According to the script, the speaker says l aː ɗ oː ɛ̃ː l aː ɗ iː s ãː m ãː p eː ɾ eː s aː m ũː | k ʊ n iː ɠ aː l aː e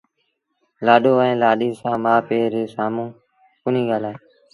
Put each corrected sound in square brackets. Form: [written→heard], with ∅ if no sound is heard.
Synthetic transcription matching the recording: l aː ɗ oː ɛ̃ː l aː ɗ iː s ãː m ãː p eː ɾ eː s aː m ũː | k ʊ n iː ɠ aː l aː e